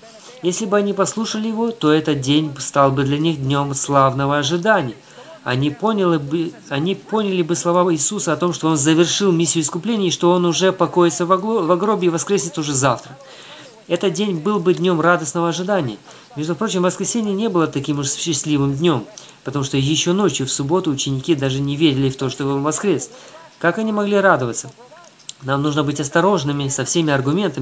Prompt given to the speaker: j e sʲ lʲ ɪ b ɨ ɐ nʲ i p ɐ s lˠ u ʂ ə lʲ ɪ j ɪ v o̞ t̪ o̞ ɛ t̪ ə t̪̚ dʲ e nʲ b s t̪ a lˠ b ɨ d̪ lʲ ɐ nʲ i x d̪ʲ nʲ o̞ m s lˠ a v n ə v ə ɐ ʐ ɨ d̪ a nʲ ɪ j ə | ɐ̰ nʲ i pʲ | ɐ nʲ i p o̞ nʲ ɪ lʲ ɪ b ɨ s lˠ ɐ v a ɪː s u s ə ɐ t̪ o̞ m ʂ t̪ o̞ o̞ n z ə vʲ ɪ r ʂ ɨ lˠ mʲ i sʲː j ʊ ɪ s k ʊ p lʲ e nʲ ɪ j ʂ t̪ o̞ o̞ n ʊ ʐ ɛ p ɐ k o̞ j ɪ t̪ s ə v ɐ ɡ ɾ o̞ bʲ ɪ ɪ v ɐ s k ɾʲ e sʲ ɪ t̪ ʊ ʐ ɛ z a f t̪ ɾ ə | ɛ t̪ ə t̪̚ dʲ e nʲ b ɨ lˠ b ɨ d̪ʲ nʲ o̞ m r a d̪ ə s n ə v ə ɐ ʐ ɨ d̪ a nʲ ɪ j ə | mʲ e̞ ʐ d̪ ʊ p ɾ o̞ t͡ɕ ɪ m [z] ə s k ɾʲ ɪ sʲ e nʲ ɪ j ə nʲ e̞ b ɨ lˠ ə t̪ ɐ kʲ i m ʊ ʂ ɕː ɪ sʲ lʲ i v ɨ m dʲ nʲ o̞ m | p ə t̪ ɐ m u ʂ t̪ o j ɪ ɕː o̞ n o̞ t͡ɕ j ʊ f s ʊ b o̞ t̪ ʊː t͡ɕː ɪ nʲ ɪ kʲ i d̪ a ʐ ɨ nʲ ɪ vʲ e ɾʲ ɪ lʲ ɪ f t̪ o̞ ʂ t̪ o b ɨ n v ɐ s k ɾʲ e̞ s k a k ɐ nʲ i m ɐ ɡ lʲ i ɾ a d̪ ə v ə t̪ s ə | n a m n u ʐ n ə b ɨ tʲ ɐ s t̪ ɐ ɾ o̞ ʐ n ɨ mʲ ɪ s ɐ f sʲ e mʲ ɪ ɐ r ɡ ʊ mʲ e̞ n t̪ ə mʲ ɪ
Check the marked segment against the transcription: incorrect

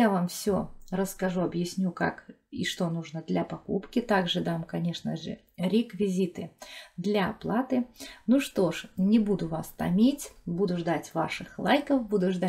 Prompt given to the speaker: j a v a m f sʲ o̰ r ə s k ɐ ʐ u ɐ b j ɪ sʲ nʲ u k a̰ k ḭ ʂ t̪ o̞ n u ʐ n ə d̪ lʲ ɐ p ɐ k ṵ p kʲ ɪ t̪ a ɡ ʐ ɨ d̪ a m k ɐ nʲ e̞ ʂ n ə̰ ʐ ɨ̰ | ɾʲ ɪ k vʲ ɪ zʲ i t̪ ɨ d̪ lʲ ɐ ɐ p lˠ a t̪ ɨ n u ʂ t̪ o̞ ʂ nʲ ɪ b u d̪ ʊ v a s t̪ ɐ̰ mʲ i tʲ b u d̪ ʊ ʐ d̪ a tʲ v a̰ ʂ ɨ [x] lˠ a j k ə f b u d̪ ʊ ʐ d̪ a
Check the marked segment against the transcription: correct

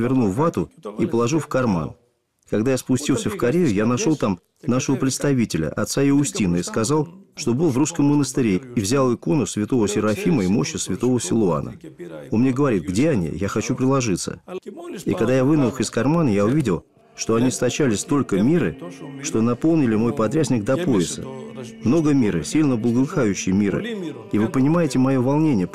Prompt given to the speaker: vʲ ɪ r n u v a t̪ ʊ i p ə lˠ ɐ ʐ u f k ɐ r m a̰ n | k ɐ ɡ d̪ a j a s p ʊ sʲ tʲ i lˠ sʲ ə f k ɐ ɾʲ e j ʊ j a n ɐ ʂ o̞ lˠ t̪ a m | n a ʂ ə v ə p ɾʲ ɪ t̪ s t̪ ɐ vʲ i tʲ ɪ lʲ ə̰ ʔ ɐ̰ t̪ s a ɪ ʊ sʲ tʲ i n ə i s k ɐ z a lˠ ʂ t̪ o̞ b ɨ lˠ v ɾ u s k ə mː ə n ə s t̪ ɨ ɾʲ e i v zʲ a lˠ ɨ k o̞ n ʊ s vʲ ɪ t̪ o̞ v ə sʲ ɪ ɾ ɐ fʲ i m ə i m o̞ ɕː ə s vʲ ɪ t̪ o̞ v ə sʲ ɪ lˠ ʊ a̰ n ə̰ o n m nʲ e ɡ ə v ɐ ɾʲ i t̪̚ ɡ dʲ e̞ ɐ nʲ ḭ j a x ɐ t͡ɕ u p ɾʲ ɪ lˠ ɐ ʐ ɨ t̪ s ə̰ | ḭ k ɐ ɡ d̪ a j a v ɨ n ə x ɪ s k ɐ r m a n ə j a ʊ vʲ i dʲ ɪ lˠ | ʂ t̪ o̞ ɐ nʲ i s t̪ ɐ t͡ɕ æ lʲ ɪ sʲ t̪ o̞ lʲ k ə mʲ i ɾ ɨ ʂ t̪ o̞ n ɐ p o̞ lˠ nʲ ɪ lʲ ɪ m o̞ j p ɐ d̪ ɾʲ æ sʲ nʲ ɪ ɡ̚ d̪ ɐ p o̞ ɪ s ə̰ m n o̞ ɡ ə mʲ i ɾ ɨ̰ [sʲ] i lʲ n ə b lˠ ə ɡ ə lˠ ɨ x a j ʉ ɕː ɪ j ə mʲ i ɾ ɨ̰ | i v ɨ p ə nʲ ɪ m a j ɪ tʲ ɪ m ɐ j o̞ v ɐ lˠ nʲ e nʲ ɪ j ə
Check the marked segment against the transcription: correct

